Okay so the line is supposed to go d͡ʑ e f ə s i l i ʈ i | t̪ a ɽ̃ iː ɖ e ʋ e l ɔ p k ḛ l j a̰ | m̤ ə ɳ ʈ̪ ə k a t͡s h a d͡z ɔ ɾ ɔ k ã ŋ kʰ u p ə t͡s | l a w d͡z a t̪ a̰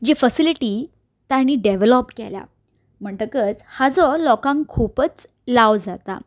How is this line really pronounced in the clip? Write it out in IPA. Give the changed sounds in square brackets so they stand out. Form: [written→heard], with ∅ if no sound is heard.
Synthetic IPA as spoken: d͡ʑ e f ə s i l i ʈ i | t̪ a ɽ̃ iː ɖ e ʋ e l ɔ p k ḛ l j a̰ | m̤ ə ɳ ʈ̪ ə k [a→ə] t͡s h a d͡z ɔ [ɾ→l] ɔ k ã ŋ kʰ u p ə t͡s | l a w d͡z a t̪ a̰

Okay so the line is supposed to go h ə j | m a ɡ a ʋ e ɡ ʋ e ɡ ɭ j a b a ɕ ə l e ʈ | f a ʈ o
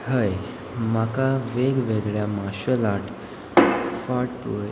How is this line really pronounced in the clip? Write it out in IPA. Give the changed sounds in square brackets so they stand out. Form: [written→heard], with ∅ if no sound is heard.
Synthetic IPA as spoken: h ə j | m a [ɡ→k] a ʋ e ɡ ʋ e ɡ ɭ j a [b→m] a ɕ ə l [e→a] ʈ | f a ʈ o

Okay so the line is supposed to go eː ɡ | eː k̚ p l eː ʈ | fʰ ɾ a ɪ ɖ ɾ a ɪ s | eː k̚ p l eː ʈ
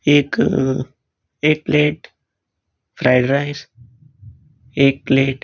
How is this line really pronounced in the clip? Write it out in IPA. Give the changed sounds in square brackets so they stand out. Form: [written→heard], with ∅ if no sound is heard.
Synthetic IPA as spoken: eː [ɡ→k] | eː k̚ p l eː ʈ | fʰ ɾ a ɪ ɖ ɾ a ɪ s | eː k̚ p l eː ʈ

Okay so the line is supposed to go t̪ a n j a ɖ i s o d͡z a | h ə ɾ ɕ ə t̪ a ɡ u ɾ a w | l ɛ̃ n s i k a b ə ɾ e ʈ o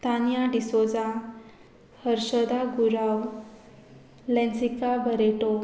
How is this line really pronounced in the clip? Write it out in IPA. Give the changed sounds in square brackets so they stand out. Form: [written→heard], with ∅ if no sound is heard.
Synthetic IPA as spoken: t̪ a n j a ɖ i s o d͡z a | h ə ɾ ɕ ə [t̪→d̪] a ɡ u ɾ a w | l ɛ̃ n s i k a b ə ɾ e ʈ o

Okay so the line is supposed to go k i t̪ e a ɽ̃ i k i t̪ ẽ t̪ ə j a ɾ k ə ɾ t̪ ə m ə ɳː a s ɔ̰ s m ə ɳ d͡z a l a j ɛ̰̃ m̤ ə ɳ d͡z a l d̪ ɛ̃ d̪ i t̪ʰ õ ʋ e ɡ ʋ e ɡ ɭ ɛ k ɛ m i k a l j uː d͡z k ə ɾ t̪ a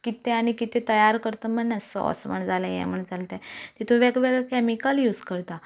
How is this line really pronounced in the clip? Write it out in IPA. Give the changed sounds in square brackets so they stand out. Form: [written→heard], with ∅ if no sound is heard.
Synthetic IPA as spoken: k i t̪ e a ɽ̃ i k i t̪ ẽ t̪ ə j a ɾ k ə ɾ t̪ ə m ə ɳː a s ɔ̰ s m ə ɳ d͡z a l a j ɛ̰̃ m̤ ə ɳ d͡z a l [d̪→t̪] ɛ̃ [d̪→t̪] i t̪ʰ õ ʋ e ɡ ʋ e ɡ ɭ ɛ k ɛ m i k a l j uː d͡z k ə ɾ t̪ a

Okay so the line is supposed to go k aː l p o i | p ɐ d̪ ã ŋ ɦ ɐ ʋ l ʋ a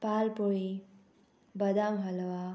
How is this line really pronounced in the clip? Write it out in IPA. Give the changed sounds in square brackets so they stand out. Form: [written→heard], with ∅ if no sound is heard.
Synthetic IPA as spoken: [k→p] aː l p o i | [p→b] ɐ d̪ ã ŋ ɦ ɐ [ʋ→∅] l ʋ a

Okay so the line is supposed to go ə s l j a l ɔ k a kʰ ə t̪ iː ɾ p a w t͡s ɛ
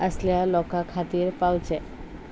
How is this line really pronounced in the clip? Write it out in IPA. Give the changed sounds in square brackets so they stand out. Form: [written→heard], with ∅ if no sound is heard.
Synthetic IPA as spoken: ə s l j a l ɔ k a kʰ [ə→a] t̪ iː ɾ p a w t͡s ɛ

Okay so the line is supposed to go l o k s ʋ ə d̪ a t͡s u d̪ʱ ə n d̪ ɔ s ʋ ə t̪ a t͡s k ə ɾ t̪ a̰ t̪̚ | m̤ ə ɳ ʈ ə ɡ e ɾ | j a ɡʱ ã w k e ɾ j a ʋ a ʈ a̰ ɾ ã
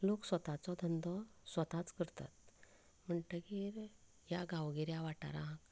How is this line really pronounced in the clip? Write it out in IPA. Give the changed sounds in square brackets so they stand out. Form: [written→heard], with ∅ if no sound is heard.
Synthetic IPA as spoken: l o k s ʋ ə [d̪→t̪] a t͡s [u→ɔ] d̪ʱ ə n d̪ ɔ s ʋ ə t̪ a t͡s k ə ɾ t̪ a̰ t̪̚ | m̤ ə ɳ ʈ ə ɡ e ɾ | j a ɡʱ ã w [k→ɡ] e ɾ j a ʋ a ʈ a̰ ɾ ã

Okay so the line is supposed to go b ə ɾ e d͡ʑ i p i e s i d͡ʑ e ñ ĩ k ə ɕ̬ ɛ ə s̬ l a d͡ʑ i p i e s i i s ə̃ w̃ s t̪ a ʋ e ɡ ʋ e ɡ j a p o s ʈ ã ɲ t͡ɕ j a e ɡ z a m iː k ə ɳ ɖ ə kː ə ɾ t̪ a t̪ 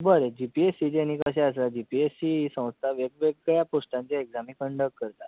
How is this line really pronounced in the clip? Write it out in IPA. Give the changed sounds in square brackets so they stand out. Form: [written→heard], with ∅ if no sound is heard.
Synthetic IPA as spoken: b ə ɾ e d͡ʑ i p i e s i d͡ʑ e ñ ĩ k ə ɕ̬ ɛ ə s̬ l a d͡ʑ i p i e s i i s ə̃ w̃ s [t̪→t̪ʰ] a ʋ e ɡ ʋ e ɡ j a p o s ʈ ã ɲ t͡ɕ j a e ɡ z a m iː k ə ɳ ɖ ə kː ə ɾ t̪ a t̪

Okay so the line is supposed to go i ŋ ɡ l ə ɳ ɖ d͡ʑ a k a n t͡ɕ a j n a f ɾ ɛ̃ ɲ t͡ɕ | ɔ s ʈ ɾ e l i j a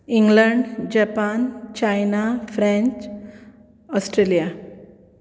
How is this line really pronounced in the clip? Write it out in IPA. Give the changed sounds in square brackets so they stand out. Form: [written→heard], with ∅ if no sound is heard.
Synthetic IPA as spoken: i ŋ ɡ l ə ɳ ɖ d͡ʑ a [k→p] a n t͡ɕ a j n a f ɾ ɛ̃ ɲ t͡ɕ | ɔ s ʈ ɾ e l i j a

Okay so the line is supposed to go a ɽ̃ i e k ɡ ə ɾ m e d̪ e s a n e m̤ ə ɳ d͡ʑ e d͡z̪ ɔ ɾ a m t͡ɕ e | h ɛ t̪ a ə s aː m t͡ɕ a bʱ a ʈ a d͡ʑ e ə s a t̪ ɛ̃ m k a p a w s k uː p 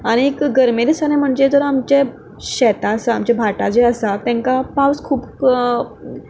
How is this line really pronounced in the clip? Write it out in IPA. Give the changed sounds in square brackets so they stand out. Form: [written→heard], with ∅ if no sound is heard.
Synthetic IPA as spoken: a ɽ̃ i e k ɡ ə ɾ m e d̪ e s a n e m̤ ə ɳ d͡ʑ e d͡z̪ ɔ ɾ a m t͡ɕ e | [h→ɕ] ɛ t̪ a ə s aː m t͡ɕ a bʱ a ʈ a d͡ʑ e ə s a t̪ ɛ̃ [m→ŋ] k a p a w s [k→kʰ] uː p

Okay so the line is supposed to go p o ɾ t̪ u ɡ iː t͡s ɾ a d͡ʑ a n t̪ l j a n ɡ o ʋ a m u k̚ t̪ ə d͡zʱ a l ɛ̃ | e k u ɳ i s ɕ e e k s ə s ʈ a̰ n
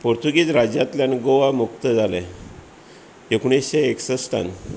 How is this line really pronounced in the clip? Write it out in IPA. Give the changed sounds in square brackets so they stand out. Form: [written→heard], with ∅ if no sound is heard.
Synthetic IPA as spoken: p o ɾ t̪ u ɡ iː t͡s ɾ a d͡ʑ a [n→∅] t̪ l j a n ɡ o ʋ a m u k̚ t̪ ə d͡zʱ a l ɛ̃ | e k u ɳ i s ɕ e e k s ə s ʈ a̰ n

